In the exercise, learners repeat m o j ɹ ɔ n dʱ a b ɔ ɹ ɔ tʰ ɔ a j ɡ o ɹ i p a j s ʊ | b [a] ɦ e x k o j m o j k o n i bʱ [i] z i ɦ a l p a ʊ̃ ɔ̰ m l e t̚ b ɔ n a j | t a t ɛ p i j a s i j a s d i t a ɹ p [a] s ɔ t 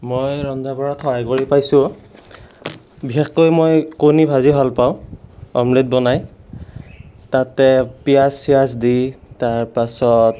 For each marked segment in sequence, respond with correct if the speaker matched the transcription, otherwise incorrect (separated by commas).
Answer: incorrect, incorrect, correct